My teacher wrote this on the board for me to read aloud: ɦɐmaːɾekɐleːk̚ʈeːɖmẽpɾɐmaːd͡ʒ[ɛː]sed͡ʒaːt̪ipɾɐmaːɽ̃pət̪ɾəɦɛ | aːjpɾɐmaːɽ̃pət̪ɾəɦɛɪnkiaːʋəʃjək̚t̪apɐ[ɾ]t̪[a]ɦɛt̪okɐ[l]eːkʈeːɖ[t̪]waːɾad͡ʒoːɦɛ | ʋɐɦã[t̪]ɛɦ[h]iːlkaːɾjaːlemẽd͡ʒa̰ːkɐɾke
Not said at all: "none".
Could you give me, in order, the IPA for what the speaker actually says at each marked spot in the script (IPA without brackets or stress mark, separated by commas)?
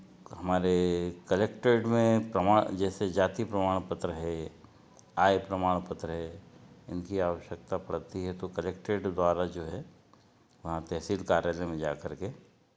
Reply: ɛː, ɽ, i, l, d̪, t̪, s